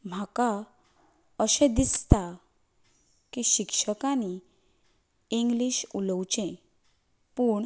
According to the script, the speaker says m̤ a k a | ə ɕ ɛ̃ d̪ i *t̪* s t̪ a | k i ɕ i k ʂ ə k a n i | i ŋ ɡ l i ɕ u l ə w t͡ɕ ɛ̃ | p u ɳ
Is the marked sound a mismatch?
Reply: yes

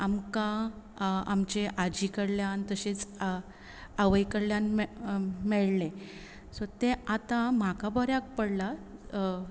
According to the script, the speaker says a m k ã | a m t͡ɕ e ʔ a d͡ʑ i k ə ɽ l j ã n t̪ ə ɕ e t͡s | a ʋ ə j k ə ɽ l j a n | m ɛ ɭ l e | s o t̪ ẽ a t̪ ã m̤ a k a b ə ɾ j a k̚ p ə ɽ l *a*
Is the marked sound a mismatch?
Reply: no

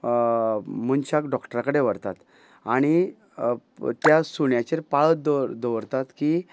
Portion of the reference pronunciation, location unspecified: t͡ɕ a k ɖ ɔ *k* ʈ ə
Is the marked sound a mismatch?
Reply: no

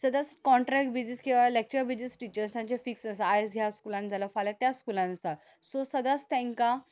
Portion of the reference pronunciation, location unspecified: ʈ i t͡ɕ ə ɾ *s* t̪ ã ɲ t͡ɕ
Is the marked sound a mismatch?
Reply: no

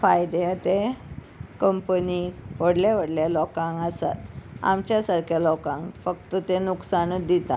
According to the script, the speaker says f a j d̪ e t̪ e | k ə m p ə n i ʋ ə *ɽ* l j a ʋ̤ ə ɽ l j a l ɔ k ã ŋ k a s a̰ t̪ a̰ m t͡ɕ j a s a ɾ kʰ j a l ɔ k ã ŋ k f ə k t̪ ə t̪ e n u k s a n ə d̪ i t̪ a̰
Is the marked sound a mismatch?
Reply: no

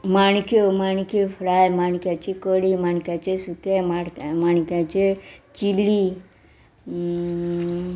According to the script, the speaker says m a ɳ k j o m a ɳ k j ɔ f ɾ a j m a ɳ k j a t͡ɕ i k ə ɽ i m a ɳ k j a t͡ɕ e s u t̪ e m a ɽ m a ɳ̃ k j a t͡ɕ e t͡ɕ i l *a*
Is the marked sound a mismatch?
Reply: yes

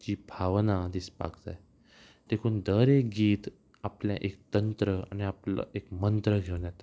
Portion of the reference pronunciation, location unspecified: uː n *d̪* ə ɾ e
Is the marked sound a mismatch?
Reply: no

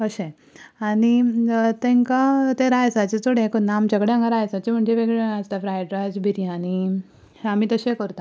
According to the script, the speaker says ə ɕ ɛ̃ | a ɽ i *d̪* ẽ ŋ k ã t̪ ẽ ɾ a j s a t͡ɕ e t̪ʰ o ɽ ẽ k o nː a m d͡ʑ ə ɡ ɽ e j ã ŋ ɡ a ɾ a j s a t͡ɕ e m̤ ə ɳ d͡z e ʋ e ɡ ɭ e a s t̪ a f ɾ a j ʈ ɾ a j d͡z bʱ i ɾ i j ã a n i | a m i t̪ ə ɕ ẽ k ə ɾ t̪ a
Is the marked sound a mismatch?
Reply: yes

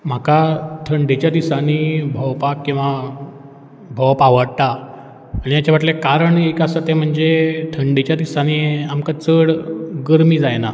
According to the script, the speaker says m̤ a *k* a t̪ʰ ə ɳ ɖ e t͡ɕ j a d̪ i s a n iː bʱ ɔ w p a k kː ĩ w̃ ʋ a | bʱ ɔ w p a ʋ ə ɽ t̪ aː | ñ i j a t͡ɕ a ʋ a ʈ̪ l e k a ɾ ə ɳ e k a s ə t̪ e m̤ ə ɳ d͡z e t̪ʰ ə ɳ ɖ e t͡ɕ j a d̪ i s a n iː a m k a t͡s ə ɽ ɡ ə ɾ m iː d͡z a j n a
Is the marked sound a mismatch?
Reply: no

